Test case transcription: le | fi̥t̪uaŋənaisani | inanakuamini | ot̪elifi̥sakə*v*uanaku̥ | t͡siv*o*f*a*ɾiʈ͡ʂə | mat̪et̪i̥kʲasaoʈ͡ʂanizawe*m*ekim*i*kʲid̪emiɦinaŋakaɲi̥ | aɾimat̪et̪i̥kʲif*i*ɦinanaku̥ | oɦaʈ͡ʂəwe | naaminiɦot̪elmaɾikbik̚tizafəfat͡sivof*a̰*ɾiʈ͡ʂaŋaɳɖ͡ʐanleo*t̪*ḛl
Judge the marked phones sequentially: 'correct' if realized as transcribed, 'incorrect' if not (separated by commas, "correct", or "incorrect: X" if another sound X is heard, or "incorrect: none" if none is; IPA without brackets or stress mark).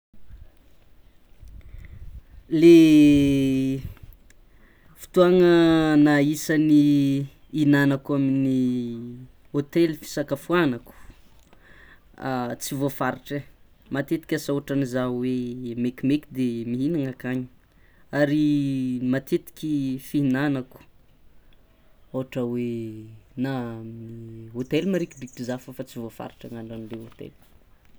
incorrect: f, correct, correct, correct, incorrect: e, correct, correct, correct